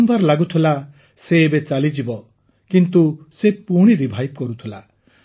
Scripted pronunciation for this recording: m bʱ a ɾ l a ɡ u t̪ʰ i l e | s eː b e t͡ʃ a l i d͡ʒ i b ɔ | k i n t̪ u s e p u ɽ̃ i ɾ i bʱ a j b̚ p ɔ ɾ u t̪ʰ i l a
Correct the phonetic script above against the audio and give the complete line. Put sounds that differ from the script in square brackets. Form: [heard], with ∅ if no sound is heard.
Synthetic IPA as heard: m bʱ a ɾ l a ɡ u t̪ʰ i l [a] | s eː b e t͡ʃ a l i d͡ʒ i b ɔ | k i n t̪ u s e p u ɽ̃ i ɾ i bʱ a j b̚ [k] ɔ ɾ u t̪ʰ i l a

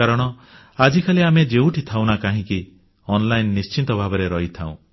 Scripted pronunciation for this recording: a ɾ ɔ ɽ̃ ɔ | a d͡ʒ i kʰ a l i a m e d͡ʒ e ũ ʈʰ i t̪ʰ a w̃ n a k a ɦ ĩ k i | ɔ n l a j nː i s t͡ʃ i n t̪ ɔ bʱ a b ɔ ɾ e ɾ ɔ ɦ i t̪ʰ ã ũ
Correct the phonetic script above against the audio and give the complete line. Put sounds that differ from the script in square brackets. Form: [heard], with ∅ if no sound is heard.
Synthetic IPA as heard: a ɾ ɔ ɽ̃ ɔ | a d͡ʒ i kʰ a l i a m e d͡ʒ e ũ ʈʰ i t̪ʰ a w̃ n a k a ɦ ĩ k i | ɔ n l a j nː i s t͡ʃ i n t̪ ɔ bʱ a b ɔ ɾ e ɾ ɔ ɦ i t̪ʰ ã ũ

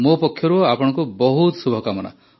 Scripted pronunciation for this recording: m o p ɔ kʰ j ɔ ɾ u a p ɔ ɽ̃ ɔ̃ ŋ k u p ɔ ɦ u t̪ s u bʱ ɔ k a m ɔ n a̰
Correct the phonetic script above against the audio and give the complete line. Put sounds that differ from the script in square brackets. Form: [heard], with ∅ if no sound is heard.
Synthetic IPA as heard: m o p ɔ kʰ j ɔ ɾ u a p ɔ ɽ̃ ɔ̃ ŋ k u [b] ɔ ɦ u t̪ s u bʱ ɔ k a m ɔ n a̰

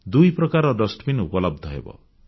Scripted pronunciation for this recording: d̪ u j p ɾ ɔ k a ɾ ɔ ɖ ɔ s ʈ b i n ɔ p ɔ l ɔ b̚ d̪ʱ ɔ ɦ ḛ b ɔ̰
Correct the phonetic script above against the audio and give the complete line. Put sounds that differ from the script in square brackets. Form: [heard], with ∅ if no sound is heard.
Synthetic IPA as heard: d̪ u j p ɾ ɔ k a ɾ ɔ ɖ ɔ s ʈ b i n [u] p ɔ l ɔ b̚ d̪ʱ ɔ ɦ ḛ b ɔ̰

